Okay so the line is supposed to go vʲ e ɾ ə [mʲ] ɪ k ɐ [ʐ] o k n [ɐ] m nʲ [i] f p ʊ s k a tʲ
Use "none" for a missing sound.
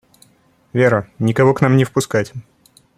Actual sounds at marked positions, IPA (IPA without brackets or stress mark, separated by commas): nʲ, v, a, ɪ